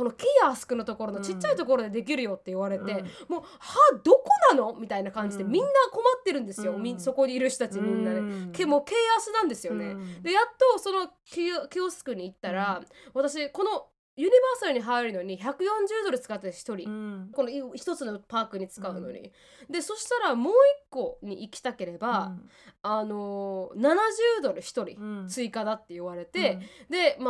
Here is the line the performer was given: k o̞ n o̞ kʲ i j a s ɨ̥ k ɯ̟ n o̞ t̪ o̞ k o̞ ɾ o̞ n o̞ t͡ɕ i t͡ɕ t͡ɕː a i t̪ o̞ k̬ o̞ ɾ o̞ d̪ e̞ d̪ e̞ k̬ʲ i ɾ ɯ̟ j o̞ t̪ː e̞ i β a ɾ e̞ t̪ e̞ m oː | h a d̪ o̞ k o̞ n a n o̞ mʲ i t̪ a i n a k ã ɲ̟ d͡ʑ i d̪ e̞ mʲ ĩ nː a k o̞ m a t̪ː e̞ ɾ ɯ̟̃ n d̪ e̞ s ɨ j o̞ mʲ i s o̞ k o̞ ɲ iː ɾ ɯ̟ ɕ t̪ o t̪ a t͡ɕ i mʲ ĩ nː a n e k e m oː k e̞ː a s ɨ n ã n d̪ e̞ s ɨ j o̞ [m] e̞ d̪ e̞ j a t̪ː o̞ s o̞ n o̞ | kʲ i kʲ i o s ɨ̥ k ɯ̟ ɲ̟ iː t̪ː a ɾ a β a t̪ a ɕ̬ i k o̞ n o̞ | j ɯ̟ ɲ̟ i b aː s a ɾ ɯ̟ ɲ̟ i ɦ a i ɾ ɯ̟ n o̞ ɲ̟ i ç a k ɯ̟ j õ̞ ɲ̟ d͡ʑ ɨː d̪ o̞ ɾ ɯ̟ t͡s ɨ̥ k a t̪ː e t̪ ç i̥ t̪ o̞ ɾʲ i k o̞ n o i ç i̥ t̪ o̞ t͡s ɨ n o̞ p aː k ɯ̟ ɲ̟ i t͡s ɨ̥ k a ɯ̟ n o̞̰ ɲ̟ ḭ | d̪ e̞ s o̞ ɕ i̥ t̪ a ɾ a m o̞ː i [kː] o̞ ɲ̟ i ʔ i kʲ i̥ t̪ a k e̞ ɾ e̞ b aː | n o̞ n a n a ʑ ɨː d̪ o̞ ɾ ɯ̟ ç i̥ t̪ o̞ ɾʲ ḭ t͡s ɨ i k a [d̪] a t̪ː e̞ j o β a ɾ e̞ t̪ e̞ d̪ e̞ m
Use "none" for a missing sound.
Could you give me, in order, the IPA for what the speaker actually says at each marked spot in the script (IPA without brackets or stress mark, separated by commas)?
n, kː, d̪